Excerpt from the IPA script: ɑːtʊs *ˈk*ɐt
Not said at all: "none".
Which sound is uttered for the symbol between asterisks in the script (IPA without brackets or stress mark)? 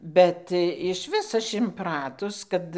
k